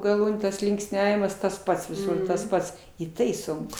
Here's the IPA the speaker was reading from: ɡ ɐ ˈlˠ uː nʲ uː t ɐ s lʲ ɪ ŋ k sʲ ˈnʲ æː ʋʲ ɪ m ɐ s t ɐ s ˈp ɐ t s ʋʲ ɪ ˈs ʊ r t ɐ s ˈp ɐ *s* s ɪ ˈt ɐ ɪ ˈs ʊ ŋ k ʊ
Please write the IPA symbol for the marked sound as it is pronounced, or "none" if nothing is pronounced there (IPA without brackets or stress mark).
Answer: t